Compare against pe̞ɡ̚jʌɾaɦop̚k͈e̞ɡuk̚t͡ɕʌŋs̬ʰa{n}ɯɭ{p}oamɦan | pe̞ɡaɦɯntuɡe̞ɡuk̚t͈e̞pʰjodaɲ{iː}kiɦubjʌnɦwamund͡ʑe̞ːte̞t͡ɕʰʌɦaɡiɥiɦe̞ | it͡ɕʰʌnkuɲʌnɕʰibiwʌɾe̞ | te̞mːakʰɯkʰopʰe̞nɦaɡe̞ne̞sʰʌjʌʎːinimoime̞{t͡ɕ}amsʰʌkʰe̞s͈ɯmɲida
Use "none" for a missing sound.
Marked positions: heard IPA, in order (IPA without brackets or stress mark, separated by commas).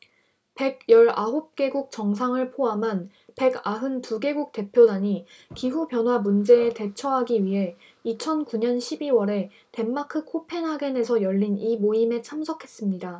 ŋ, pʰ, i, t͡ɕʰ